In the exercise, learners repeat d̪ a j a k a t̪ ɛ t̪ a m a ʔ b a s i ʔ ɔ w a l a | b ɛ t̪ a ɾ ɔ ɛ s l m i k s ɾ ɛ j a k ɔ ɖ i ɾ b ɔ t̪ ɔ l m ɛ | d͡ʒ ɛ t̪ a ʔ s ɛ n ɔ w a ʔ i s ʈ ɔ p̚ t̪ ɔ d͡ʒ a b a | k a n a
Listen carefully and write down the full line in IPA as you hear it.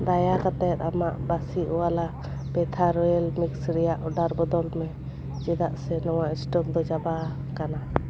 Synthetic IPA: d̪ a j a k a t̪ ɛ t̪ a m a ʔ b a s i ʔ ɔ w a l a | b ɛ t̪ʰ a ɾ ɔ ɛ l m i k s ɾ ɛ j a ʔ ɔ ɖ a ɾ b ɔ d̪ ɔ l m ɛ | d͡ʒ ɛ d̪ a ʔ s ɛ n ɔ w a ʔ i s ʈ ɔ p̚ d̪ ɔ d͡ʒ a b a | k a n a